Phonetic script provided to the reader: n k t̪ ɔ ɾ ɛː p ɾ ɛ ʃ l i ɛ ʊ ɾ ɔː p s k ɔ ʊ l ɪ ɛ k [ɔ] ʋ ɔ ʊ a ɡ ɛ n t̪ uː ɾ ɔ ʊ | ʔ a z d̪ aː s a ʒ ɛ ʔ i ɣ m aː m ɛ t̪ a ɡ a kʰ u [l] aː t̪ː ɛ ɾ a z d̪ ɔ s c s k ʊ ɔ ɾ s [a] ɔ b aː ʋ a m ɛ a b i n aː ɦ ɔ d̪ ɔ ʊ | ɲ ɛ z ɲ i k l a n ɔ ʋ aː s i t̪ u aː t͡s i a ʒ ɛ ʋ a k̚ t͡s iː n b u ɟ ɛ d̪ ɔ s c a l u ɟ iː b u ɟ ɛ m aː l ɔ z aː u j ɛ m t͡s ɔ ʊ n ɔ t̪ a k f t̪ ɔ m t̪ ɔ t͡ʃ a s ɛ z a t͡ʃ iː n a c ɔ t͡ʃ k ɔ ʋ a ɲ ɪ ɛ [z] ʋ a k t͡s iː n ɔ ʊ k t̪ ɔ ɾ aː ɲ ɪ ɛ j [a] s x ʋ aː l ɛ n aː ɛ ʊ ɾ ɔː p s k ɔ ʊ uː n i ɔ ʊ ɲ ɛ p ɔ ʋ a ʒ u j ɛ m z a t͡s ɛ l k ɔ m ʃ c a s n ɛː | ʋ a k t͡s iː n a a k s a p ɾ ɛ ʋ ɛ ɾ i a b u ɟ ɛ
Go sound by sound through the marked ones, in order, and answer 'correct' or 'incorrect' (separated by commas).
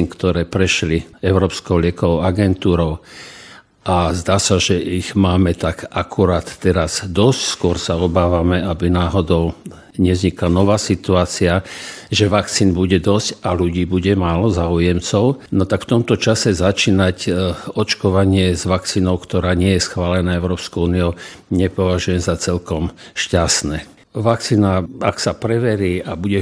correct, incorrect, correct, correct, incorrect